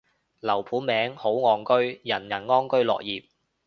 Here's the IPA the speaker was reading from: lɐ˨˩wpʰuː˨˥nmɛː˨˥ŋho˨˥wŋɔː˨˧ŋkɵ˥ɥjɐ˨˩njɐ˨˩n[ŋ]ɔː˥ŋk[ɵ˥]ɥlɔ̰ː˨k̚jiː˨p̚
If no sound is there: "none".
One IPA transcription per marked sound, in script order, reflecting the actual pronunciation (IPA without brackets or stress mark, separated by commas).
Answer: ŋ, ɵ˥